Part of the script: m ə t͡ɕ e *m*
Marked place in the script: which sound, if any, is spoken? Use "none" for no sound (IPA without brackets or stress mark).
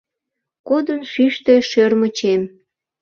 m